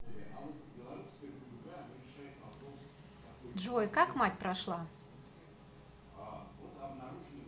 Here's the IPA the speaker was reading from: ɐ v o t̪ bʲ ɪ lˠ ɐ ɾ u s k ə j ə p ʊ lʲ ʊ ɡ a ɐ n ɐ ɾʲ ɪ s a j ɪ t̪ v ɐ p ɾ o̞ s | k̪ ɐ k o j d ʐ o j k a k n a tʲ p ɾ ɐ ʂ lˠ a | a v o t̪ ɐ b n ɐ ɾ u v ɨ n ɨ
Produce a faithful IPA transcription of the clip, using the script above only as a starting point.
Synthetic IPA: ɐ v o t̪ bʲ ɪ lˠ ɐ ɾ u s k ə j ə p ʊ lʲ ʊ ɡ a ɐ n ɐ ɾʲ ɪ ʂ a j ɪ t̪ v ɐ p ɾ o̞ s | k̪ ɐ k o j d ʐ o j k a k m a tʲ p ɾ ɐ ʂ lˠ a | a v o t̪ ɐ b n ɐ ɾ u ʐ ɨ n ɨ